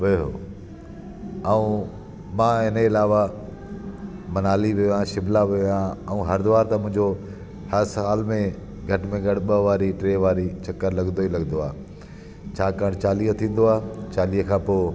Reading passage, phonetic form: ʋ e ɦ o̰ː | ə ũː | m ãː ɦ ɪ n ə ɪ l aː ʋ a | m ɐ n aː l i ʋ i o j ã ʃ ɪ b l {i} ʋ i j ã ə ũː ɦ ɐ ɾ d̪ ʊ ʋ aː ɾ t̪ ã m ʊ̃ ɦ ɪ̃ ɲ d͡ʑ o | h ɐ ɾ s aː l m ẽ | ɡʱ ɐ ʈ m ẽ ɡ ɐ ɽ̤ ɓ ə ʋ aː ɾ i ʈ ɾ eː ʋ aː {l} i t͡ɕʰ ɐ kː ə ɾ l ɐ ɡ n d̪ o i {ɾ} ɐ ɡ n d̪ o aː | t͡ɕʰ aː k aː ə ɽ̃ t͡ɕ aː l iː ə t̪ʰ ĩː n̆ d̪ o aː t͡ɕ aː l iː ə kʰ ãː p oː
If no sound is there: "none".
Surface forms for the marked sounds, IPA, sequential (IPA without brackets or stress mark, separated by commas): a, ɾ, l